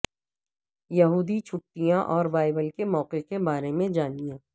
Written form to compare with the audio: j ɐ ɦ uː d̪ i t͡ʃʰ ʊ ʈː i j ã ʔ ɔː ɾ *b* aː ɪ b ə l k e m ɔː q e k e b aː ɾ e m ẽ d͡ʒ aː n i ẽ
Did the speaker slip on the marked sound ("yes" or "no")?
no